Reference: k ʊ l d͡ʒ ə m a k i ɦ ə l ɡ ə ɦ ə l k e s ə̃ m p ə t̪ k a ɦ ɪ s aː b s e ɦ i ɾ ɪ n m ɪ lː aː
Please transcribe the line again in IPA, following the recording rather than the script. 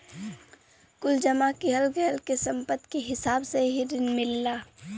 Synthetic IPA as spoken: k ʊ l d͡ʒ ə m a k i ɦ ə l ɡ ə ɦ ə l k e s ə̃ m p ə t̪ k e ɦ ɪ s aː b s e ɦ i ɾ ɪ n m ɪ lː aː